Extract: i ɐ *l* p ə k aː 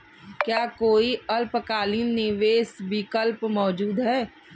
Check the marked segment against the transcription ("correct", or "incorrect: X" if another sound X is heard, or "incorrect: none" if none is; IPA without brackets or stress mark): correct